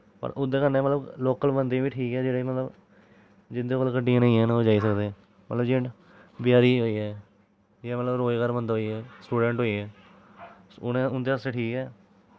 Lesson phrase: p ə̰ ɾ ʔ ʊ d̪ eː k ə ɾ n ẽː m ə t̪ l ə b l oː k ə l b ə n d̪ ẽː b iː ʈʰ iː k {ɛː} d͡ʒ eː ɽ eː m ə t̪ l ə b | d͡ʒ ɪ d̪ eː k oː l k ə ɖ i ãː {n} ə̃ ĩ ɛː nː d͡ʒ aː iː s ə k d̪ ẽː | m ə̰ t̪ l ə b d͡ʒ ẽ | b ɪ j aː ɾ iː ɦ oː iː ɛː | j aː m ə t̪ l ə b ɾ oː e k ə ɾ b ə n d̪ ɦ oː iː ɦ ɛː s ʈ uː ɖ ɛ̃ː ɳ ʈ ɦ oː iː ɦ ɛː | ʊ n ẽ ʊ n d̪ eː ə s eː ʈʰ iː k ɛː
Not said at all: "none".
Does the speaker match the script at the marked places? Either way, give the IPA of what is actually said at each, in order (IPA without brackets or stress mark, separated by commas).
ɛː, n